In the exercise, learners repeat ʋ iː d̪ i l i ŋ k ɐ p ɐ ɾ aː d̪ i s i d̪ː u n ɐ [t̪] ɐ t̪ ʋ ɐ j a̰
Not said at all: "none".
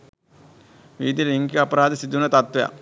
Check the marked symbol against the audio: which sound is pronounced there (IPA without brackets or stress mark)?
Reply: t̪